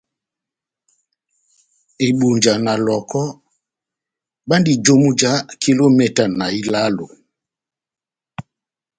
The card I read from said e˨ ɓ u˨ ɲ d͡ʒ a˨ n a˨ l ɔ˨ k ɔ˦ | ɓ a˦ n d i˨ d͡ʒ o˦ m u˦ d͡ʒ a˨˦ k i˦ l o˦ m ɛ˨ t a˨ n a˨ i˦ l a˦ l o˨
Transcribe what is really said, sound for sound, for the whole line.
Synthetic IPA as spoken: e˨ ɓ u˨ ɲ d͡ʒ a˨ n a˨ l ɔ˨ k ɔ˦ | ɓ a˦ n d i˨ d͡ʒ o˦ m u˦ d͡ʒ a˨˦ k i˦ l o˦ m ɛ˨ t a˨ n a˨ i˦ l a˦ l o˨

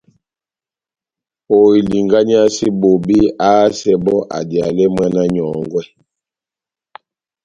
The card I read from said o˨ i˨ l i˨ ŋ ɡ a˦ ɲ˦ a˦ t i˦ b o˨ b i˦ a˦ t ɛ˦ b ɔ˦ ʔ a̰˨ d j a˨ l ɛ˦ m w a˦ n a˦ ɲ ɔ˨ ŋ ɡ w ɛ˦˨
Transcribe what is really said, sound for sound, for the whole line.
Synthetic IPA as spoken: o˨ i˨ l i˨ ŋ ɡ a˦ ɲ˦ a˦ s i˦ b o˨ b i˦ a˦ s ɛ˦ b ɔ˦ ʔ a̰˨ d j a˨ l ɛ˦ m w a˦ n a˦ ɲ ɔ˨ ŋ ɡ w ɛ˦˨

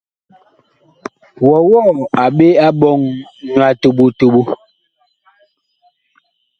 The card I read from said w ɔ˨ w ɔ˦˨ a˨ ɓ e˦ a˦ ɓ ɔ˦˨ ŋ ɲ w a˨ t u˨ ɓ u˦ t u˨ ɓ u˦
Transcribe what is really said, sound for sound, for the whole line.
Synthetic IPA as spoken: w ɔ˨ w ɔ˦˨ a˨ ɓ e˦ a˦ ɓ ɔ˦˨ ŋ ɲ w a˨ t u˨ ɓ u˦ t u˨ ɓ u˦

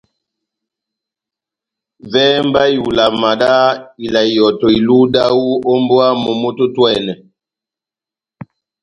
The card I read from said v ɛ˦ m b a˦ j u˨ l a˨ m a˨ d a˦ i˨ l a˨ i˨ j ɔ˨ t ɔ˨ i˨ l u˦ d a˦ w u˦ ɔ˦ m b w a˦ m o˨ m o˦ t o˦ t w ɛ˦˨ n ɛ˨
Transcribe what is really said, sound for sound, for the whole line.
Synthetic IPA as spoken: v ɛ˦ m b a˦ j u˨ l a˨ m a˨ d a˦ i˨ l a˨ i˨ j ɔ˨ t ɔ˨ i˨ l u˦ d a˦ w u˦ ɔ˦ m b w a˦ m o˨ m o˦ t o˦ t w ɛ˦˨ n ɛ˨

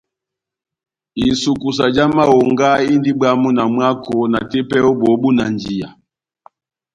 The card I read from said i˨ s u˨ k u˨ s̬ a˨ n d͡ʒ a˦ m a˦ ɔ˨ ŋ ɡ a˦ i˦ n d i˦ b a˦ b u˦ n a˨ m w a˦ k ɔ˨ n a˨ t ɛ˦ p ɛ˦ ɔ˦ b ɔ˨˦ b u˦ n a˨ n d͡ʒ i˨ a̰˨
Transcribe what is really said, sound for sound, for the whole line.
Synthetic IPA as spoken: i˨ s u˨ k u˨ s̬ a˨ d͡ʒ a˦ m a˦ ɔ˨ ŋ ɡ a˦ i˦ n d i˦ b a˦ m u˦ n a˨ m w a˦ k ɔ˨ n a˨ t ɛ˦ p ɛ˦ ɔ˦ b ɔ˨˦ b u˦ n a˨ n d͡ʒ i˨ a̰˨

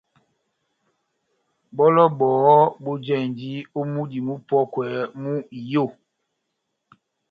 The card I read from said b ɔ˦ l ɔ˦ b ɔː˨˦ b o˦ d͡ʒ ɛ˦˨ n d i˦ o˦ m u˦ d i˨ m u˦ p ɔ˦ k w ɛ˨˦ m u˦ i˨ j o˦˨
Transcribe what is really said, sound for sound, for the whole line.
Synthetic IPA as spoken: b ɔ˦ l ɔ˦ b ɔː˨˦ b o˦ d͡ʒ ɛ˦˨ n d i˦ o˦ m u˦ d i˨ m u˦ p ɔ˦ k w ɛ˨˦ m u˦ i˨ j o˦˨

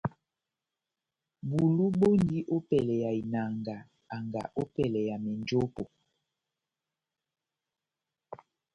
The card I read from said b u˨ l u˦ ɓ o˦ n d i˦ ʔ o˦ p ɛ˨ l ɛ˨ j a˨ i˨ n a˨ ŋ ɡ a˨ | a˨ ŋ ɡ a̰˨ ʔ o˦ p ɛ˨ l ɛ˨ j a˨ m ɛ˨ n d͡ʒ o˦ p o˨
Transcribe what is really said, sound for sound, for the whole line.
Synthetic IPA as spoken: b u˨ l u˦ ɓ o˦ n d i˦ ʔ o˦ p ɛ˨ l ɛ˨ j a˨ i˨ n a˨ ŋ ɡ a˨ | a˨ ŋ ɡ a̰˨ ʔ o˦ p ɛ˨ l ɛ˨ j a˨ m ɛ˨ n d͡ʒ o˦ p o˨

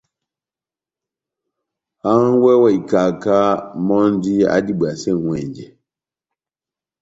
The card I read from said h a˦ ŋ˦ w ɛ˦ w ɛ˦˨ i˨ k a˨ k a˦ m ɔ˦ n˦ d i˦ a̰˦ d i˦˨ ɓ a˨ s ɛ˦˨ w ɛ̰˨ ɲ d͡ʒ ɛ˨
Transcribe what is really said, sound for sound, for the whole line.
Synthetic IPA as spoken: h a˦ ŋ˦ w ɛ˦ w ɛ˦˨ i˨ k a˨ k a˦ m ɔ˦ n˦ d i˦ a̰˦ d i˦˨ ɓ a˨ s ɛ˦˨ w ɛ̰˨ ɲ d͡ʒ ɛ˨

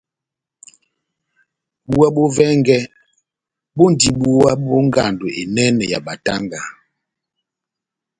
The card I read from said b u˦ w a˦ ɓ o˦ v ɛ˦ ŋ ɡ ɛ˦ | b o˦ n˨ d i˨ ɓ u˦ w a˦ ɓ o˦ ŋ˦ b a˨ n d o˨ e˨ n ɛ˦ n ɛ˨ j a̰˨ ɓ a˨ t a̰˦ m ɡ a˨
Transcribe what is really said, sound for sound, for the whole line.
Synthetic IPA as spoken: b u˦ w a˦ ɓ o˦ v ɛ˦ ŋ ɡ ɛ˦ | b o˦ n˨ d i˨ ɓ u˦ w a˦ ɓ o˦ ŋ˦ ɡ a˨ n d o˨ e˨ n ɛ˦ n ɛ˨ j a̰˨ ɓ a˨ t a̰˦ ŋ ɡ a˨

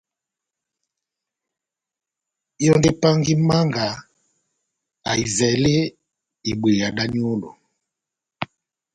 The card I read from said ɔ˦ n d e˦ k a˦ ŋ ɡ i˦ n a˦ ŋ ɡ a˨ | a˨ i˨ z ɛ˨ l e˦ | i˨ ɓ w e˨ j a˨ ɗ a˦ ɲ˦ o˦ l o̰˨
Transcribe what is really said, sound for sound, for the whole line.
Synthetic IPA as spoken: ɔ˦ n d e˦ p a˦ ŋ ɡ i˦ m a˦ ŋ ɡ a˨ | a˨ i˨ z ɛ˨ l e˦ | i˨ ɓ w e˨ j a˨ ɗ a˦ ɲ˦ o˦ l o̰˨

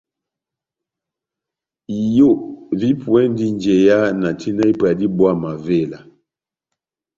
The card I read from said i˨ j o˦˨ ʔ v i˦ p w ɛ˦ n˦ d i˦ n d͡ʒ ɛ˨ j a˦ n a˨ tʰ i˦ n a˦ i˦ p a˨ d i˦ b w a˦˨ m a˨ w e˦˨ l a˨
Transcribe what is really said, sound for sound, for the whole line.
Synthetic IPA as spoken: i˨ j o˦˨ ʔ v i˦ p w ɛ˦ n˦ d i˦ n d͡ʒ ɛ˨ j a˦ n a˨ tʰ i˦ n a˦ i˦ p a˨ d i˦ b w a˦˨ m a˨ v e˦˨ l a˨

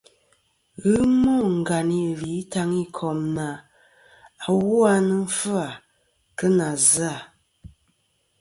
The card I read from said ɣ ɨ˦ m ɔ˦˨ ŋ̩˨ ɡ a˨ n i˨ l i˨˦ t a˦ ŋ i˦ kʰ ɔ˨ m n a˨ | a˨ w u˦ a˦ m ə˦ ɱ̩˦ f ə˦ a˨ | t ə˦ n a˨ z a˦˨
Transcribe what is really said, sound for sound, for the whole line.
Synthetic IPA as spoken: ɣ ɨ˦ m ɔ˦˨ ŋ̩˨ ɡ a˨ n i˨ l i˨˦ t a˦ ŋ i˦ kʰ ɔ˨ m n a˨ | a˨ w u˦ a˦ n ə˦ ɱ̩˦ f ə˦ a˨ | k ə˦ n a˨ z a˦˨

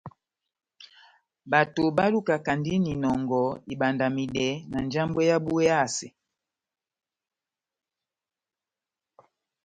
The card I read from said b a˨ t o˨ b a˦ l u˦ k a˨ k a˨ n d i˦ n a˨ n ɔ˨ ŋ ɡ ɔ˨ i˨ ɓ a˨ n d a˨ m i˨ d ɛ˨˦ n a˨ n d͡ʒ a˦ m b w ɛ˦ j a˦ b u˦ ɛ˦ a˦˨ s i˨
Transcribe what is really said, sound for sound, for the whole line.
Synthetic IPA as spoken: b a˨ t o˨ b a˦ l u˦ k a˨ k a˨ n d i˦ n i˨ n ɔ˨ ŋ ɡ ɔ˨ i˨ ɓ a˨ n d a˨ m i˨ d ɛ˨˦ n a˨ n d͡ʒ a˦ m b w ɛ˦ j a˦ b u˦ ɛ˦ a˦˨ s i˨

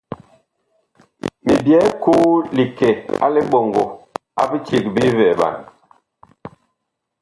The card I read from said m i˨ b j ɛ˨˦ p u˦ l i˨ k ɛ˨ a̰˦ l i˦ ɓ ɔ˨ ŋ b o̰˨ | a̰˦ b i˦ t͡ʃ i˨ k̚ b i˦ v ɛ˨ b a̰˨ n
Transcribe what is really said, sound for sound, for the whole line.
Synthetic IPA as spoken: m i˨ b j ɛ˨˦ k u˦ l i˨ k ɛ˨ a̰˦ l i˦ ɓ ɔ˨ ŋ ɡ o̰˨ | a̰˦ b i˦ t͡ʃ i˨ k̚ b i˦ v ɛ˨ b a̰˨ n

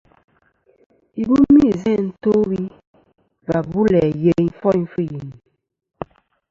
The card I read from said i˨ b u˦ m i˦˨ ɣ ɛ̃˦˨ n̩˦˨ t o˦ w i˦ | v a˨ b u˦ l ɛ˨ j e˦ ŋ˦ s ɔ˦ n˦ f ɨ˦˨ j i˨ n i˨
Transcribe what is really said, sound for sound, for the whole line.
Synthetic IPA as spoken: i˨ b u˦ m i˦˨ z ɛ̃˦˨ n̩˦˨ t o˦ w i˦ | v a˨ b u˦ l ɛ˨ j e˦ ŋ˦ f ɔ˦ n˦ f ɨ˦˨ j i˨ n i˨

